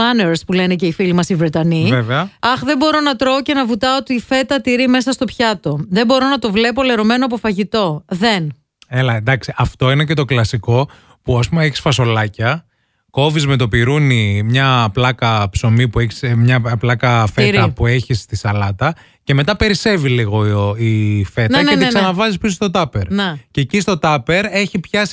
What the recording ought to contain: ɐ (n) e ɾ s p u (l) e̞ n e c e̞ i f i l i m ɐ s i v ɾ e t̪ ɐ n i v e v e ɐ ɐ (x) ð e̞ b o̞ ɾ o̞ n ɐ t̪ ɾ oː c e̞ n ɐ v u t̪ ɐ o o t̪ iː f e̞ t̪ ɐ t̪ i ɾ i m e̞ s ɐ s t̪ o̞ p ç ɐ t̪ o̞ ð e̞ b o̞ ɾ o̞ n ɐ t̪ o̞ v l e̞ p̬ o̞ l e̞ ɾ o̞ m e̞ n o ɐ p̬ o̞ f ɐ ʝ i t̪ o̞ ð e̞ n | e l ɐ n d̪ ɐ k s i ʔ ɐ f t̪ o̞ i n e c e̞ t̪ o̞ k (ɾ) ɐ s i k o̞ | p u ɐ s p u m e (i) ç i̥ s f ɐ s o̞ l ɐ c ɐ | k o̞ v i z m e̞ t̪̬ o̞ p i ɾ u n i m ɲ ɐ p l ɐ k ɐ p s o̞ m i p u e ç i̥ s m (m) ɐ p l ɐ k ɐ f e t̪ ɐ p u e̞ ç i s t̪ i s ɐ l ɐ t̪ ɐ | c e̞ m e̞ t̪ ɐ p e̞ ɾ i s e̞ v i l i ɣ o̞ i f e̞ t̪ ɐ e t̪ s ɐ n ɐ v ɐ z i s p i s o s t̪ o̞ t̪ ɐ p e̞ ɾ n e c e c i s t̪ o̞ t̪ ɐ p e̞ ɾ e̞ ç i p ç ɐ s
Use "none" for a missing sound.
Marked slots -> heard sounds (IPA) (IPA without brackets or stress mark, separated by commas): n, l, x, l, e, ɲ